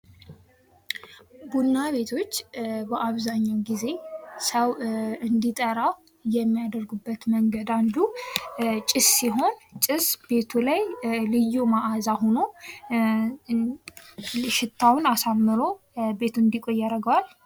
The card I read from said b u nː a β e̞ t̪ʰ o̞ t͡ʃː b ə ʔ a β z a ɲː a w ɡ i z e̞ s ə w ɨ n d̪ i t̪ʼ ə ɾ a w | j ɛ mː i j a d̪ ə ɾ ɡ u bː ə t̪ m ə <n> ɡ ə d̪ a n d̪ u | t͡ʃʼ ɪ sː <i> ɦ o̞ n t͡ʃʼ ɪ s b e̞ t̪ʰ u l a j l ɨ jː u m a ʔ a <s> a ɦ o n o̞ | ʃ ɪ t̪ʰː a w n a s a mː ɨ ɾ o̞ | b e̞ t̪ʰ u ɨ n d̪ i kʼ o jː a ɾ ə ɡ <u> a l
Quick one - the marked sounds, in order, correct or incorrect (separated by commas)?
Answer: incorrect, correct, incorrect, incorrect